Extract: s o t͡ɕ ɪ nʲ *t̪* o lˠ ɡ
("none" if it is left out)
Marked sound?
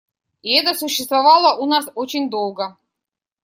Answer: d̪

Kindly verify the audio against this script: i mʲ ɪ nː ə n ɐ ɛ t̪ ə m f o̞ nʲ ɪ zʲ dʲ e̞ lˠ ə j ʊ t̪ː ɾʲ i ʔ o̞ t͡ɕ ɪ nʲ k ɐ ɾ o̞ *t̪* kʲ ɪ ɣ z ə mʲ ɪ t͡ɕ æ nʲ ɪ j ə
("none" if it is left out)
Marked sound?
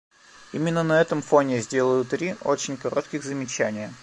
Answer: t̪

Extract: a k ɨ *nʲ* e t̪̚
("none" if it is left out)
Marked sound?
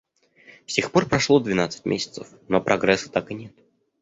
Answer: nʲ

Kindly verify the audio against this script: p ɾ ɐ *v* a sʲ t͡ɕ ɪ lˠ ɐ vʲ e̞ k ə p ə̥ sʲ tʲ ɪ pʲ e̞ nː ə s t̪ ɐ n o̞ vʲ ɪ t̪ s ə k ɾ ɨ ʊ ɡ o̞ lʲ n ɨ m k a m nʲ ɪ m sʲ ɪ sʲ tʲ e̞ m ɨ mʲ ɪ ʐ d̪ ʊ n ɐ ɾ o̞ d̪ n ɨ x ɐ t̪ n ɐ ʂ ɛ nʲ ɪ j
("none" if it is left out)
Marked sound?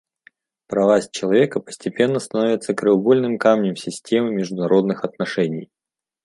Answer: v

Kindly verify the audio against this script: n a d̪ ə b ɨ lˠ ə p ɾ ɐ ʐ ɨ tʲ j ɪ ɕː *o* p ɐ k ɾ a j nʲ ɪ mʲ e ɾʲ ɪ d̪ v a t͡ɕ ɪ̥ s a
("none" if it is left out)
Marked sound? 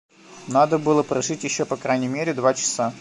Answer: o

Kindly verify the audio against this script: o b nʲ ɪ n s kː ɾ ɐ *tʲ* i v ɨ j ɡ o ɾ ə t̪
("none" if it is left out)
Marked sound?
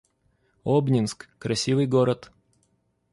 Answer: sʲ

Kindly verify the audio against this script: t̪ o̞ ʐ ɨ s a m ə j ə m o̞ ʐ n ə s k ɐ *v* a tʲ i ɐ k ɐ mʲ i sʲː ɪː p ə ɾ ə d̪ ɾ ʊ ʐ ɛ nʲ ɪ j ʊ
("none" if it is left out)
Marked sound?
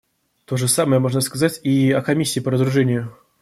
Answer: z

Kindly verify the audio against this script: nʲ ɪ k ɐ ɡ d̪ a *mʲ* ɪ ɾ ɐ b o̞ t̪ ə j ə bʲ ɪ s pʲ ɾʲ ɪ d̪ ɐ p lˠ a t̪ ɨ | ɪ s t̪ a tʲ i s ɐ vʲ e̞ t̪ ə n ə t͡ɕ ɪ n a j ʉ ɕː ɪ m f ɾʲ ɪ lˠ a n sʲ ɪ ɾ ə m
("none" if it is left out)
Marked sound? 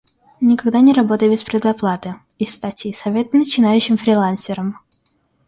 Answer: nʲ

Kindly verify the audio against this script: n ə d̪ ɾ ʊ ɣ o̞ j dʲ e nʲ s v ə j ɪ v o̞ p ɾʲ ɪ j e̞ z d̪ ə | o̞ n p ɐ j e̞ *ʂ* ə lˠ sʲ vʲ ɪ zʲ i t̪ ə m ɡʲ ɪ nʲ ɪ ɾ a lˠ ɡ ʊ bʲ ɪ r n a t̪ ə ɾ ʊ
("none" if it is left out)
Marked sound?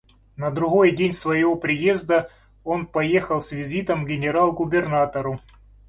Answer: x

